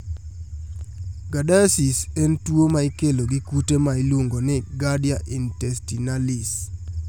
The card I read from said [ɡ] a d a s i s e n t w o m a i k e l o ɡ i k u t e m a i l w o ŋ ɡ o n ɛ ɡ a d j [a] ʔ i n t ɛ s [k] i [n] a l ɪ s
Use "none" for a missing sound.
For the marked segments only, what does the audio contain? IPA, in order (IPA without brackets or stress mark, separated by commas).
ɡ, a, t, n